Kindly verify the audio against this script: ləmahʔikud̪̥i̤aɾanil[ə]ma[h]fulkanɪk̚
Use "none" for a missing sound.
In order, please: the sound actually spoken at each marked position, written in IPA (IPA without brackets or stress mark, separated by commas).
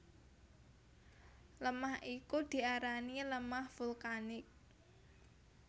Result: ə, h